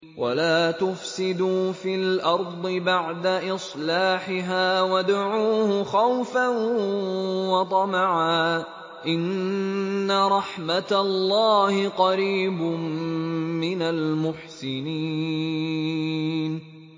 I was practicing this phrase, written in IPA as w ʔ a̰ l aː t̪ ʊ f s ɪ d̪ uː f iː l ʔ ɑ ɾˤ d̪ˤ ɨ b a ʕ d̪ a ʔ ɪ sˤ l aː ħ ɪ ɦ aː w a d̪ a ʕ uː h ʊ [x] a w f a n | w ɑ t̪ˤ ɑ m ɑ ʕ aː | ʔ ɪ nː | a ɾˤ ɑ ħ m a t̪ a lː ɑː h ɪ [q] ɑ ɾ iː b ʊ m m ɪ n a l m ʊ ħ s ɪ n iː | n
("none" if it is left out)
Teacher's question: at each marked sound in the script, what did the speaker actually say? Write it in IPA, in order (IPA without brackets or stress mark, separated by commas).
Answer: x, q